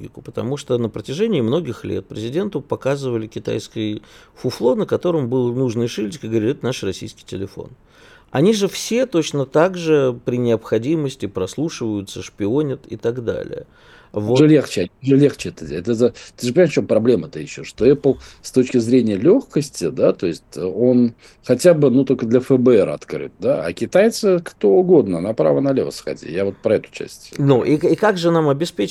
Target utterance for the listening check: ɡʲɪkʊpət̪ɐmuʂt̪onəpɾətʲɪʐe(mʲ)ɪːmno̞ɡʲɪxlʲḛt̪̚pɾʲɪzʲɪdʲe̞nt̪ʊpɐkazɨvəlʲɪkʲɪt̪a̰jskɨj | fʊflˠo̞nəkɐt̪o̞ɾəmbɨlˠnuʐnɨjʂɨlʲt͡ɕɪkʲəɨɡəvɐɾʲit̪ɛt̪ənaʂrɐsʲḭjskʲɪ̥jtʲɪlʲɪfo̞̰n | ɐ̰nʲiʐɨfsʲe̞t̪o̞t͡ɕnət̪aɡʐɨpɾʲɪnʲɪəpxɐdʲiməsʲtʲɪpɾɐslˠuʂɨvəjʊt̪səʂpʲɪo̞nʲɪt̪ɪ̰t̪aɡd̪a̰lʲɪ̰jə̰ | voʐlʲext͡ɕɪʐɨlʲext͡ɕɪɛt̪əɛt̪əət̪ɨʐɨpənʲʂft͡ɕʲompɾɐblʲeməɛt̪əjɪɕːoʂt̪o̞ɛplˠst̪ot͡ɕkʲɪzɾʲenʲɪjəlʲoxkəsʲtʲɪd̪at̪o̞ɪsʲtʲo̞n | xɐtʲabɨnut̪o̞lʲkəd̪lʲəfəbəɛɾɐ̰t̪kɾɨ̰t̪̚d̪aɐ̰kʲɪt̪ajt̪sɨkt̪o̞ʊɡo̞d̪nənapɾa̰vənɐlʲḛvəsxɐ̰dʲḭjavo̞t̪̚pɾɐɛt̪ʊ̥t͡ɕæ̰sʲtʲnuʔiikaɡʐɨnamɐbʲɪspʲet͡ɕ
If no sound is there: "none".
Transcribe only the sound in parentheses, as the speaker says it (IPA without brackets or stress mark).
nʲ